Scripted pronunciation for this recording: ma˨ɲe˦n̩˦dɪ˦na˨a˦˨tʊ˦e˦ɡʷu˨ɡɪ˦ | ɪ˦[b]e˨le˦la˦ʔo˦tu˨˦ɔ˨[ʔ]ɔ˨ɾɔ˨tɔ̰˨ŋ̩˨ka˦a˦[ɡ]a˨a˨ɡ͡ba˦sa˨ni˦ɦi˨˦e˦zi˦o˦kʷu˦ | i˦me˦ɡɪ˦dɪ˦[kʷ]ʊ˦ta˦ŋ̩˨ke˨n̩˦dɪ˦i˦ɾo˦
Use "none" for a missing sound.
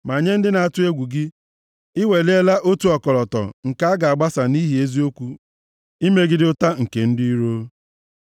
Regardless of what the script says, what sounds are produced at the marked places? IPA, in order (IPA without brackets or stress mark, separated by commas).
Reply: w, k, ɡ, none